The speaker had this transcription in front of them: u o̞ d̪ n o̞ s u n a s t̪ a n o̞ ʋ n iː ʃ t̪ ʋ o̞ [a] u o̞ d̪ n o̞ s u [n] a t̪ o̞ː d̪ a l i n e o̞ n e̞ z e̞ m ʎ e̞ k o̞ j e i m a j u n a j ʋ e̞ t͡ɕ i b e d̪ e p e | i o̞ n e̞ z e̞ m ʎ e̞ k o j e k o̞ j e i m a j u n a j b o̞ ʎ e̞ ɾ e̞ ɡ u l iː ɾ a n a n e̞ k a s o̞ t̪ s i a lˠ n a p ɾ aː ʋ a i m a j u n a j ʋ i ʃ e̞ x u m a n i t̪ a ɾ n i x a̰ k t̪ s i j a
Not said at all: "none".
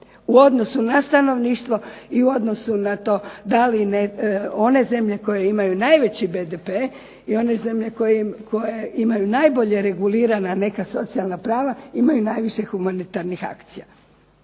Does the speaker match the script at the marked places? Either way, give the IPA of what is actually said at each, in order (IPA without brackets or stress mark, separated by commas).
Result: i, n